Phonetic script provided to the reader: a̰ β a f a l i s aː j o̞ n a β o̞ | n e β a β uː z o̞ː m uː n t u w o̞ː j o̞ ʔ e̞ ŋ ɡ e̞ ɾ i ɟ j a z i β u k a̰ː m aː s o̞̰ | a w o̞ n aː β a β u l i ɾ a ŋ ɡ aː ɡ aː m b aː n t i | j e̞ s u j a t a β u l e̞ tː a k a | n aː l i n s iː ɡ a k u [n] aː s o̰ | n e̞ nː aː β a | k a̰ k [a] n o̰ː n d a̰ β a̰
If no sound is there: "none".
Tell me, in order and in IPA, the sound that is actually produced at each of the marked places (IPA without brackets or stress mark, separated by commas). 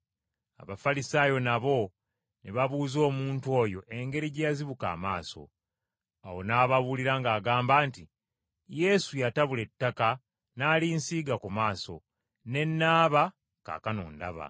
m, a